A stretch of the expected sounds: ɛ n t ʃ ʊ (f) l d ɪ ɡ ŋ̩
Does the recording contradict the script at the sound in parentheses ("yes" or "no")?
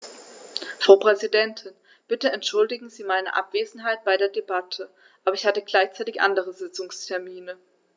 yes